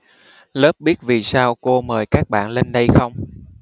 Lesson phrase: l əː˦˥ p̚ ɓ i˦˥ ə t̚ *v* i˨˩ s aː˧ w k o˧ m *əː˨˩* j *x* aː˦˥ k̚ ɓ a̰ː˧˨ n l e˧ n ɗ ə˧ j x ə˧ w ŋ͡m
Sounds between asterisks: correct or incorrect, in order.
correct, correct, incorrect: k

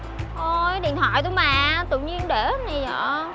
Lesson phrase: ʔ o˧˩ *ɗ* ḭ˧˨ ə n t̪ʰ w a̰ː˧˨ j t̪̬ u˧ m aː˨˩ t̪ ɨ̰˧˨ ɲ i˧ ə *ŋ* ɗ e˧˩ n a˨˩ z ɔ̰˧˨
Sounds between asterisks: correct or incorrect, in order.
correct, incorrect: n

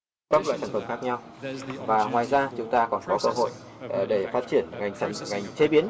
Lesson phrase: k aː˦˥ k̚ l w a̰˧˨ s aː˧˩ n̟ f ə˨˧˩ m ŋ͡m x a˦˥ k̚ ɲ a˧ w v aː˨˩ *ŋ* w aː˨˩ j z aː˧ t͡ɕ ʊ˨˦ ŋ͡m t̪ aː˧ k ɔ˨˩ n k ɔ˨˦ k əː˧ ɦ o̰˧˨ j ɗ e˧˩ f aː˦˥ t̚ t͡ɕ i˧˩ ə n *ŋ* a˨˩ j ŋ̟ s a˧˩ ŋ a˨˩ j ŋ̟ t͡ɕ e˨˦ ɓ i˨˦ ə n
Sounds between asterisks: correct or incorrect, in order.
correct, correct

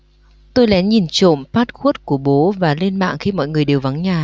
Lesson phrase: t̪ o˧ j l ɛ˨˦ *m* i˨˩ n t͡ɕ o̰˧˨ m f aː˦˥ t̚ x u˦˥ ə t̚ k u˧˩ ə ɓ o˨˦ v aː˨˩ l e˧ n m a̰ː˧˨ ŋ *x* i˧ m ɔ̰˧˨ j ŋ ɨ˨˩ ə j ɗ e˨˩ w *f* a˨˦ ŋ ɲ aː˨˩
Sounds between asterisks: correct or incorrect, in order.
incorrect: ɲ, correct, incorrect: v

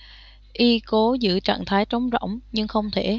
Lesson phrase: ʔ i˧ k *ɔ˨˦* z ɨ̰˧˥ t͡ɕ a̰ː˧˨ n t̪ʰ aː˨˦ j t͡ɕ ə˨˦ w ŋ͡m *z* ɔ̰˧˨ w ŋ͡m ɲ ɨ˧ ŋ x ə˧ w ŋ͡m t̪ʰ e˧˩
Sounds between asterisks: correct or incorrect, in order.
incorrect: o˨˦, correct

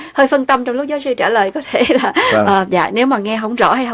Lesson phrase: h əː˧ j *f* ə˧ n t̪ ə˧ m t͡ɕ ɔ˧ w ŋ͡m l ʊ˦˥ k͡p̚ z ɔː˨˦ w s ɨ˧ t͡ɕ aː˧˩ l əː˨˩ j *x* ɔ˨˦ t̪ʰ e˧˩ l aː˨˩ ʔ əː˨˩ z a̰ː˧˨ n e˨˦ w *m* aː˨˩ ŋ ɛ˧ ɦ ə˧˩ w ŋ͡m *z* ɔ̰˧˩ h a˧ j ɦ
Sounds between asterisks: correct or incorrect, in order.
correct, incorrect: k, correct, correct

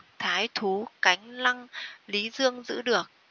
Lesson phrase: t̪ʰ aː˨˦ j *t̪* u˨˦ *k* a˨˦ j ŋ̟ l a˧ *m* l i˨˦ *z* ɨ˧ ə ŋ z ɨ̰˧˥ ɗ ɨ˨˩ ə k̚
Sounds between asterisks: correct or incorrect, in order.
incorrect: t̪ʰ, correct, incorrect: ŋ, correct

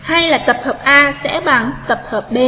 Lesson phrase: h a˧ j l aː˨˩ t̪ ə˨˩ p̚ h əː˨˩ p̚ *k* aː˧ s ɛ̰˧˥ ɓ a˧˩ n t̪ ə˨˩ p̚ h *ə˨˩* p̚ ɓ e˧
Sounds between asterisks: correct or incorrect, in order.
incorrect: ʔ, incorrect: əː˨˩

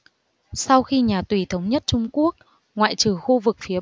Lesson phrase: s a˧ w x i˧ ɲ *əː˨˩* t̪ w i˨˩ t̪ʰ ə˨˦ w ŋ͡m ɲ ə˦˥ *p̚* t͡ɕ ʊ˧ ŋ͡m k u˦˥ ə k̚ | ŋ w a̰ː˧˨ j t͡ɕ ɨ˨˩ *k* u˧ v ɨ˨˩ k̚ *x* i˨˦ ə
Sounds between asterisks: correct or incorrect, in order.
incorrect: aː˨˩, incorrect: t̚, incorrect: x, incorrect: f

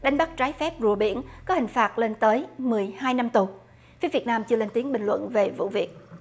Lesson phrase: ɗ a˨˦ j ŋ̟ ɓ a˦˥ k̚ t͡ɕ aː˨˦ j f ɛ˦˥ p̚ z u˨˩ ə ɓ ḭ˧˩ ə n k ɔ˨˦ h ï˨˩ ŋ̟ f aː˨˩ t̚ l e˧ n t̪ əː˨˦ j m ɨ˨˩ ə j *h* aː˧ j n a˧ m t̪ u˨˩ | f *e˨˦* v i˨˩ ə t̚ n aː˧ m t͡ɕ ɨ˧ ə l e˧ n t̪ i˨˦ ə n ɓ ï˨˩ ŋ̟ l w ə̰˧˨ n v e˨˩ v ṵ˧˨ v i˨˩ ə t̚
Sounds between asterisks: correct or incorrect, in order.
correct, incorrect: i˨˦

